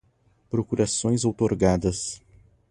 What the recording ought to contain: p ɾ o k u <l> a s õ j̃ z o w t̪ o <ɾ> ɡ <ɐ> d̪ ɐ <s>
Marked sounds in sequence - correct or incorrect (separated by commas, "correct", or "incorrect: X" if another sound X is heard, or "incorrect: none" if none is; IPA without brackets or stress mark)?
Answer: incorrect: ɾ, correct, incorrect: a, correct